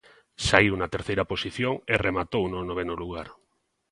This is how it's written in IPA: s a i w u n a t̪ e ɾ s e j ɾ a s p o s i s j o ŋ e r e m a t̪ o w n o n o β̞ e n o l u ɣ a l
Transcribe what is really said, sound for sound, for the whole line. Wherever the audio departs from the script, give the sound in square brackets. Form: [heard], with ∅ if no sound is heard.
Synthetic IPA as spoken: s a i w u n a t̪ e ɾ [θ] e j ɾ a [∅] p o s i [θ] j o ŋ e r e m a t̪ o w n o n o β̞ e n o l u ɣ a [ɾ]